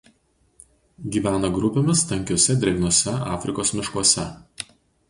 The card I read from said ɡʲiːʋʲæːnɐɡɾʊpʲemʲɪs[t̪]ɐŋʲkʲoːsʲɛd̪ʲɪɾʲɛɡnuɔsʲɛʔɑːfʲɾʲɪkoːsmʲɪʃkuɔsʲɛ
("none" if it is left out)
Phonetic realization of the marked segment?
t̪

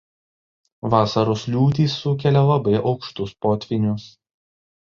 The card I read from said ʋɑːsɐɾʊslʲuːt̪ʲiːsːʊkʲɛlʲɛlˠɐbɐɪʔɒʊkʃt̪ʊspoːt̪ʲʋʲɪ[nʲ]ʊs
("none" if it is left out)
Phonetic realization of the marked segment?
nʲ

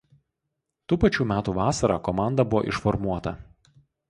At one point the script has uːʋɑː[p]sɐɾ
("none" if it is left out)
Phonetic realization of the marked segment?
none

